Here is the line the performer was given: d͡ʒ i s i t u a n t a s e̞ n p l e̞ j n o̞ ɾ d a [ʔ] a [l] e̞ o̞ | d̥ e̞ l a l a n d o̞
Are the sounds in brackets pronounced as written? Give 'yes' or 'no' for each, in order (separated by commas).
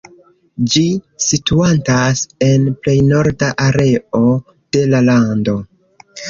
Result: yes, no